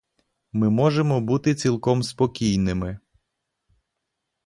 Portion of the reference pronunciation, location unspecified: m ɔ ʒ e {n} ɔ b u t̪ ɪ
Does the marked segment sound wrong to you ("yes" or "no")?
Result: yes